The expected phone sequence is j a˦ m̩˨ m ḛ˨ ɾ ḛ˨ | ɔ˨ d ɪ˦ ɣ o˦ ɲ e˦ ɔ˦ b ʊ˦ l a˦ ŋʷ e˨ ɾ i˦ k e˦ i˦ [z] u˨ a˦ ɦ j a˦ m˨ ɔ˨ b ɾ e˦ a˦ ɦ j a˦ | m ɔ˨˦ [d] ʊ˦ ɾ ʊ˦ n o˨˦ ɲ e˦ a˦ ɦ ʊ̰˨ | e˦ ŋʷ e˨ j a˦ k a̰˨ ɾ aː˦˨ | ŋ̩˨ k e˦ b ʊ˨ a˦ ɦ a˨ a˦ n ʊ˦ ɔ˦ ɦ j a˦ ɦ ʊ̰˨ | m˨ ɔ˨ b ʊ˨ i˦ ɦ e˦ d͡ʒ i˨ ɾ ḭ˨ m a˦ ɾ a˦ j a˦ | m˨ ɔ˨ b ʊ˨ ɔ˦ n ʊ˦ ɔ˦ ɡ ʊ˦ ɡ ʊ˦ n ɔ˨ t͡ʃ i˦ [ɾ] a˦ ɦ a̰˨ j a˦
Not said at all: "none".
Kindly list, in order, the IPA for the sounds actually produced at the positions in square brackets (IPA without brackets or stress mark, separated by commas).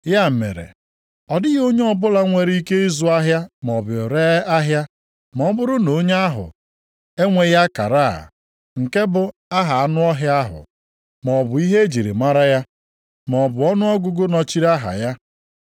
z, b, ɾ